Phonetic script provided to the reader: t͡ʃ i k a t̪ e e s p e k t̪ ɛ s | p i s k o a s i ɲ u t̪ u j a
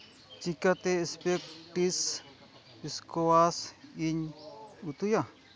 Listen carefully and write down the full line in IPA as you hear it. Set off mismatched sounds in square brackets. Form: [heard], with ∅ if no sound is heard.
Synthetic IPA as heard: t͡ʃ i k a t̪ e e s p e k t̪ [i] s | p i s k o a s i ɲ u t̪ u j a